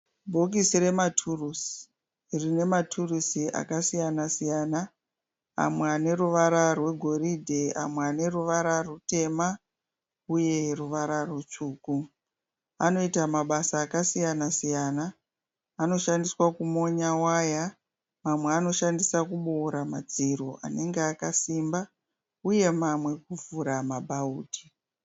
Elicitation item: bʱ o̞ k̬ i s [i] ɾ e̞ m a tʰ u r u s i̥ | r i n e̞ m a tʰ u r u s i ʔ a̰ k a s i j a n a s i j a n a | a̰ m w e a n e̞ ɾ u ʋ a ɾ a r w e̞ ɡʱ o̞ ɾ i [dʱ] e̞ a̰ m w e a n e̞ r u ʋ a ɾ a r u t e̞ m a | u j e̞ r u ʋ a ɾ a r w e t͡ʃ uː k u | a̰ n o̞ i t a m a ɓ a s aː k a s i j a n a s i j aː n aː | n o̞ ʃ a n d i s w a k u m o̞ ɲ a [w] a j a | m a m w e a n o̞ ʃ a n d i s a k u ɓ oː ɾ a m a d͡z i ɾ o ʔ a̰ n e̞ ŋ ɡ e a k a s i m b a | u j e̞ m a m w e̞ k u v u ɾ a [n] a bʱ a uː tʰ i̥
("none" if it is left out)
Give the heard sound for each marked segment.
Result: i, dʱ, w, m

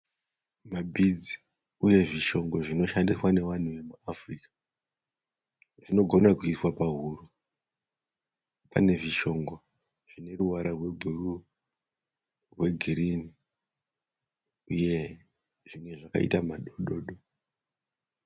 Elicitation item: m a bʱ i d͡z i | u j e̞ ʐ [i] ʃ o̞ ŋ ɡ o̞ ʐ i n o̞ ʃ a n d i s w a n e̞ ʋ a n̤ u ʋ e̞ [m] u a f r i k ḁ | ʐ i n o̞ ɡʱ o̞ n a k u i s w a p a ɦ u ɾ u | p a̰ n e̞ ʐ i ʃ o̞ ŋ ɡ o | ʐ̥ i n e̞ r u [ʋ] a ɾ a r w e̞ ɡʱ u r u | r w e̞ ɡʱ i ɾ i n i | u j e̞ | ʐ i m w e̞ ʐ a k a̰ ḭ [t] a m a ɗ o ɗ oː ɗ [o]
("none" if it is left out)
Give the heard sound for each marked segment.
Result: i, m, w, t, o

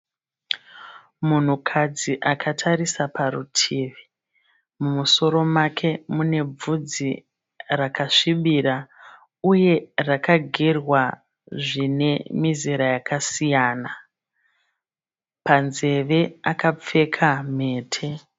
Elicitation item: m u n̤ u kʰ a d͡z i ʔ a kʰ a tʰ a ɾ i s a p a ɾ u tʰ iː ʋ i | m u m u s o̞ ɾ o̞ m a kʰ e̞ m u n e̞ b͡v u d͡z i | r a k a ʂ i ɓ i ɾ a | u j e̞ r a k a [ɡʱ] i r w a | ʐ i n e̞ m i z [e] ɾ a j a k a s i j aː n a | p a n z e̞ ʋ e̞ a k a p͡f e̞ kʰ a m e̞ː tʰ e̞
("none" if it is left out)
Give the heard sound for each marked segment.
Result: ɡʱ, i

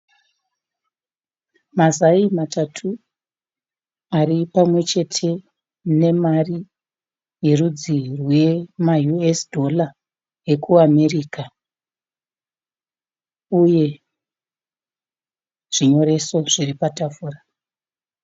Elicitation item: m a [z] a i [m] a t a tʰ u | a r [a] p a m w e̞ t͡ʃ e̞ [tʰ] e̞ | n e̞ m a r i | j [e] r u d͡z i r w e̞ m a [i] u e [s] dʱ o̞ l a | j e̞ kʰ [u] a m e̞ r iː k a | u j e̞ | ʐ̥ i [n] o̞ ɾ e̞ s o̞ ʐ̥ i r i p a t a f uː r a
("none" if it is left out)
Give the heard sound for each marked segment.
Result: z, m, i, tʰ, e, j, s, u, ɲ

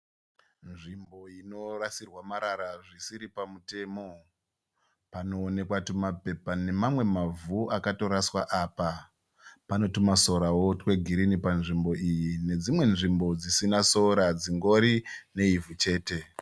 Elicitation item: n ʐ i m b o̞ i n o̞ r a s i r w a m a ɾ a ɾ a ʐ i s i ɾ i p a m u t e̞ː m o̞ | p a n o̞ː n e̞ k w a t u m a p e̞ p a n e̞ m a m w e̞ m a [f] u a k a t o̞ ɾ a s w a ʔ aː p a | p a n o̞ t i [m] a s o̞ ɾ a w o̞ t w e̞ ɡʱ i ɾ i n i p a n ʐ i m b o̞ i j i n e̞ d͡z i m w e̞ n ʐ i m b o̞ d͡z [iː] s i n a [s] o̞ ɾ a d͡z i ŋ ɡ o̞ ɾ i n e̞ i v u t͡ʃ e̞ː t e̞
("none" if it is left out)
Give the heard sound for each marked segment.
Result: v, m, i, s

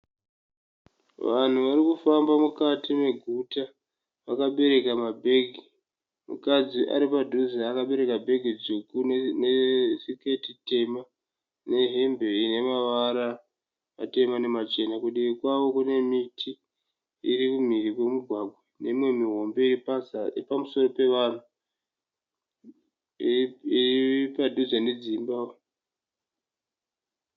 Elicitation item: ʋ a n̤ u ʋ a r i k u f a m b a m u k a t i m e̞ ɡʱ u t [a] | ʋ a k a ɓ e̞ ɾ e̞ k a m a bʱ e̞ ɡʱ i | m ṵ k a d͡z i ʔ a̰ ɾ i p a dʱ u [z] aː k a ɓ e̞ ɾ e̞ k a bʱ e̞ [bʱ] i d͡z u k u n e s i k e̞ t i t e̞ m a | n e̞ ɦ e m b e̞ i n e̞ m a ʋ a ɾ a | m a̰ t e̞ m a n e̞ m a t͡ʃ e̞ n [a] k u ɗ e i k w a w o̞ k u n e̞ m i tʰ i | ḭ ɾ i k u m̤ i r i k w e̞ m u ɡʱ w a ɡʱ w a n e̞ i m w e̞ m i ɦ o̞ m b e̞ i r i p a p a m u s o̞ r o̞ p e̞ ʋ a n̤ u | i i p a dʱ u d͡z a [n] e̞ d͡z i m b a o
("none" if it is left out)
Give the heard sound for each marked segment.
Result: a, z, ɡʱ, a, n

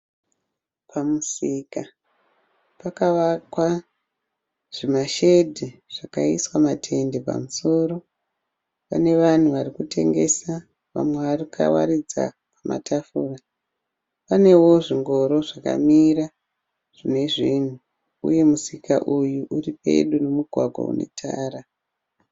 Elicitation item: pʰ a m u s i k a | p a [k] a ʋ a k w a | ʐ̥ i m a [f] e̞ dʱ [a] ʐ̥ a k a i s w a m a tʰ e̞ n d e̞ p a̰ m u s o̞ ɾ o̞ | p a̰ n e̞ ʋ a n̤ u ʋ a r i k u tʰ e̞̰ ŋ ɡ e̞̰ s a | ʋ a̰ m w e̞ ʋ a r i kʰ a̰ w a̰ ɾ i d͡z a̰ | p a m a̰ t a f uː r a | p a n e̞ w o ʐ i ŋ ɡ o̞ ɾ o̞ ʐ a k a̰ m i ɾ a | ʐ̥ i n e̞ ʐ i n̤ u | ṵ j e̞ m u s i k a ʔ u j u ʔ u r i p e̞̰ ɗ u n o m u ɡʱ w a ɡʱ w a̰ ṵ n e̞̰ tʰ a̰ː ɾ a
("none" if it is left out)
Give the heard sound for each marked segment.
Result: k, ʃ, i

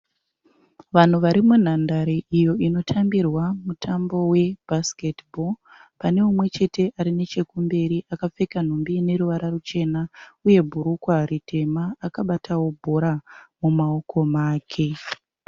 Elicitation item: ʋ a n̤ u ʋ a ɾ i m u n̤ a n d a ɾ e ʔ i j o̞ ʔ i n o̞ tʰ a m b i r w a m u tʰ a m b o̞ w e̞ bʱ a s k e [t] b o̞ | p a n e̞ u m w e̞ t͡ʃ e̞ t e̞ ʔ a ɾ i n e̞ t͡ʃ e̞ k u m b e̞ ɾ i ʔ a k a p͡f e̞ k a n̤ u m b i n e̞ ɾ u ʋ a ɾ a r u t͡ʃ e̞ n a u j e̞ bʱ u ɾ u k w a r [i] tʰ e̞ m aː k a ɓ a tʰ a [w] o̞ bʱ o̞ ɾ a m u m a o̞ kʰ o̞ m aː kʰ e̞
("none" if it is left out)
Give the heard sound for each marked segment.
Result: t, i, w

